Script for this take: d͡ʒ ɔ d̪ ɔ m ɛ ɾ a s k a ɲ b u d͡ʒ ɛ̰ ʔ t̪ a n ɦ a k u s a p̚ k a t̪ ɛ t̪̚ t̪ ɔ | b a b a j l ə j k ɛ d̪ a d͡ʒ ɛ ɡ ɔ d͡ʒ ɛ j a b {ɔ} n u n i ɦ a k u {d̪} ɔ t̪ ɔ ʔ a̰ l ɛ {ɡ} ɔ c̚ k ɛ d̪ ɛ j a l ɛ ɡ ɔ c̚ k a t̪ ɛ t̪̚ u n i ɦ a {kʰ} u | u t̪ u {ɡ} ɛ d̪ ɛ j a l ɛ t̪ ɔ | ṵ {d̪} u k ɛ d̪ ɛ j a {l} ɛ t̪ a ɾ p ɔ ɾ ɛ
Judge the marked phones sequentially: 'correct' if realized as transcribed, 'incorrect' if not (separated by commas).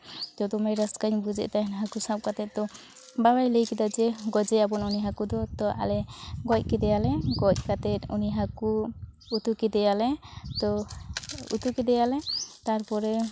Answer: correct, correct, correct, incorrect, incorrect, incorrect, correct